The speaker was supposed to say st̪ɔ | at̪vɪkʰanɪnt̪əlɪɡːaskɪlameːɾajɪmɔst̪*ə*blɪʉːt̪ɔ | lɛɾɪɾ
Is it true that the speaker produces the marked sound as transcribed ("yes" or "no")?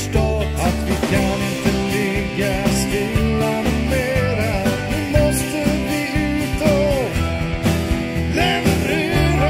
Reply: yes